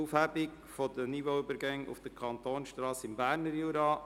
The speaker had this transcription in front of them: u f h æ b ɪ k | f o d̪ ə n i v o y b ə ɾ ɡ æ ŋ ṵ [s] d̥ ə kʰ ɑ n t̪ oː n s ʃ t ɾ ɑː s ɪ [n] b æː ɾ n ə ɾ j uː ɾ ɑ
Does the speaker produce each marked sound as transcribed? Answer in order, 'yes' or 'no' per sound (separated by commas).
no, no